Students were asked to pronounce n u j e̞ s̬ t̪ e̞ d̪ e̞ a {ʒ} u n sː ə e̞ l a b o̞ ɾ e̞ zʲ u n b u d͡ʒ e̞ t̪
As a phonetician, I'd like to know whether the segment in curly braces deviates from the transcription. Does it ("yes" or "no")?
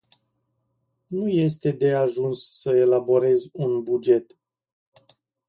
no